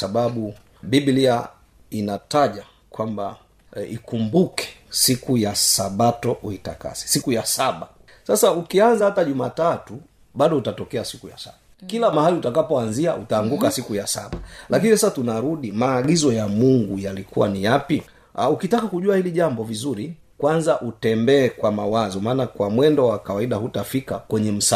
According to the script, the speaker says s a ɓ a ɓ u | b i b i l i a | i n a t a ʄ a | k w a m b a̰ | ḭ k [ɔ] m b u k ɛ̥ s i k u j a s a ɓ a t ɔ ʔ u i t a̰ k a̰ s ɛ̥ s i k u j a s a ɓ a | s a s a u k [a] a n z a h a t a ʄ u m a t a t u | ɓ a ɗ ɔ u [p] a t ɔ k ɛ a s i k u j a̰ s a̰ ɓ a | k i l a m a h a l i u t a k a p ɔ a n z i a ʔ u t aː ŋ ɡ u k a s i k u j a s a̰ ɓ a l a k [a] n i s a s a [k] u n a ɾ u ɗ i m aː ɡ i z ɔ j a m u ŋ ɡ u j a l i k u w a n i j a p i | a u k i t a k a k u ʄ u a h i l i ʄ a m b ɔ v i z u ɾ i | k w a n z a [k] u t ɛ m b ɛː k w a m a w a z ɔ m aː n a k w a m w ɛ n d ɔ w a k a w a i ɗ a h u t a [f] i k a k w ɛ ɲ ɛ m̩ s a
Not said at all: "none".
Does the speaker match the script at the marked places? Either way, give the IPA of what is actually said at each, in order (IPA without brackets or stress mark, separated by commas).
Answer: u, i, t, i, t, ʔ, f